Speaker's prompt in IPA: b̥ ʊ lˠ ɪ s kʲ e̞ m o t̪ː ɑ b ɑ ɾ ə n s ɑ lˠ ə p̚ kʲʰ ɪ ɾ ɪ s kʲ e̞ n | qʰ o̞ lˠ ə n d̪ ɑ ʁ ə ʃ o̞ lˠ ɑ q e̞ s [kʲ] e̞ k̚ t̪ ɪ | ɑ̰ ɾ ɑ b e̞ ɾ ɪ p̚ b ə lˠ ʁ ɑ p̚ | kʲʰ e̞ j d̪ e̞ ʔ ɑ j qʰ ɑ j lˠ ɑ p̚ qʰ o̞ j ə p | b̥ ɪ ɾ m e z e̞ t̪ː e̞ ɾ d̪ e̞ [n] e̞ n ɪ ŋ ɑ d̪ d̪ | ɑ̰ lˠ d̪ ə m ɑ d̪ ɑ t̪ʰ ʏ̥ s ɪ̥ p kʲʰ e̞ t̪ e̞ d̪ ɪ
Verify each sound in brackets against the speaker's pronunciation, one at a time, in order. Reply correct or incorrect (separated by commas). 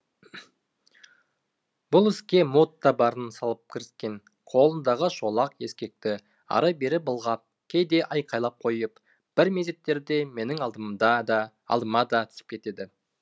correct, incorrect